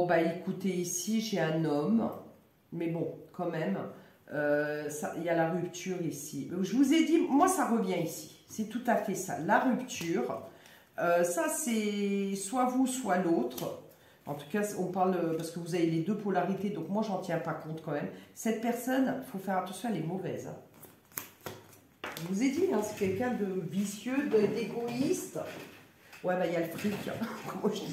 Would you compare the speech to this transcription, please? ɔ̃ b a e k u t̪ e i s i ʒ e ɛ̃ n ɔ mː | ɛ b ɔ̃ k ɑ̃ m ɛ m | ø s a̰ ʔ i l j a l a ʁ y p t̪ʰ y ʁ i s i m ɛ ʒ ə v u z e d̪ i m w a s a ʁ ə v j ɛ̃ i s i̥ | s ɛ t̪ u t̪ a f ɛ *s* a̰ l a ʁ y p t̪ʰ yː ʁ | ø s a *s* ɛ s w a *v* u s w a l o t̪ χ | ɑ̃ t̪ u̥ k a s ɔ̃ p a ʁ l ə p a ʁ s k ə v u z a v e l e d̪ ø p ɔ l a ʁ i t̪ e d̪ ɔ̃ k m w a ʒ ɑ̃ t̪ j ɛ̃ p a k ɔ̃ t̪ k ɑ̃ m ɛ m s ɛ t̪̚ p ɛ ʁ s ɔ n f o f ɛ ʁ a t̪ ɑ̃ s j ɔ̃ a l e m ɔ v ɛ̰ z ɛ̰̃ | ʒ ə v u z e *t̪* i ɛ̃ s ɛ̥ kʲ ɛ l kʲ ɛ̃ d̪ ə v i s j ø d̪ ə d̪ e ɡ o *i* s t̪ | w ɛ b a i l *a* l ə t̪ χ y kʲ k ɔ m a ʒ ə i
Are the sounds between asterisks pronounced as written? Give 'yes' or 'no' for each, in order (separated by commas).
yes, yes, yes, no, yes, yes